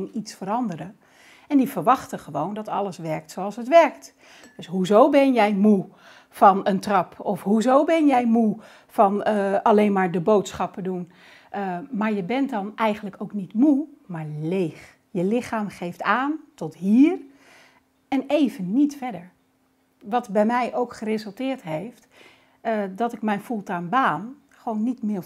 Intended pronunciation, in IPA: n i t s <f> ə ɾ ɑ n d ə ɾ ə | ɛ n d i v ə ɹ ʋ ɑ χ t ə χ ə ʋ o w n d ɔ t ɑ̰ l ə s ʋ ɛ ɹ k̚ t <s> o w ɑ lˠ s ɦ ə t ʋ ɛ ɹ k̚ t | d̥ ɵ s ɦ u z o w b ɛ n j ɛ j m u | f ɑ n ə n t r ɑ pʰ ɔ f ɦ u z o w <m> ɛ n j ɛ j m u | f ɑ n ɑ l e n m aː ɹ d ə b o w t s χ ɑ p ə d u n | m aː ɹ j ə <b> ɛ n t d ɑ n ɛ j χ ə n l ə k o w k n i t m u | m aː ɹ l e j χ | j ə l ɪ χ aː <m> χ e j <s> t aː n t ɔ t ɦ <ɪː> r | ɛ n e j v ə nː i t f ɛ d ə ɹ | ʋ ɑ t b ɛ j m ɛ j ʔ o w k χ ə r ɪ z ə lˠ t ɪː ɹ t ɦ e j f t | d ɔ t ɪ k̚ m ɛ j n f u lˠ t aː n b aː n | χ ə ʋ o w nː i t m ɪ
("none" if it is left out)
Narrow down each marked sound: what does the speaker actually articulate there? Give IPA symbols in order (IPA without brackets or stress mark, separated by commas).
f, s, b, b, m, f, iː